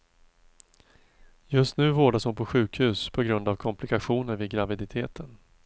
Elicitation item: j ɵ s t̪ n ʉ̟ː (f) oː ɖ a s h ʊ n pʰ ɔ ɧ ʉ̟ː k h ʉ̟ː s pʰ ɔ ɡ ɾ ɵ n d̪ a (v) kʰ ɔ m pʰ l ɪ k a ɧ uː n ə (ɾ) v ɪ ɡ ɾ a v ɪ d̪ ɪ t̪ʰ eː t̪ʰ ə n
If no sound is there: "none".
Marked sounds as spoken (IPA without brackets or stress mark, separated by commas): v, v, ɾ